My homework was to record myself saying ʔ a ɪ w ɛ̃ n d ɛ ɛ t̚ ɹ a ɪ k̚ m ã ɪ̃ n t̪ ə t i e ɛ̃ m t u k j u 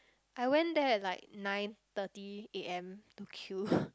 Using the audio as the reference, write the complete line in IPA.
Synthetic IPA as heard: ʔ a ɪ w ɛ̃ n d ɛ ɛ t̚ l a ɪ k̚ n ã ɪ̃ n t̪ ə t i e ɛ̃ m t u kʰ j u